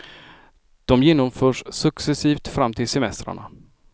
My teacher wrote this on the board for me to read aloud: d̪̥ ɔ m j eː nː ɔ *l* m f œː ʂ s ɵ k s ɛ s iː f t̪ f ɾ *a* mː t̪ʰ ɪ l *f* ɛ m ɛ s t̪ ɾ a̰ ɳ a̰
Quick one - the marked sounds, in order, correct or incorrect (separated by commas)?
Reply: incorrect, correct, incorrect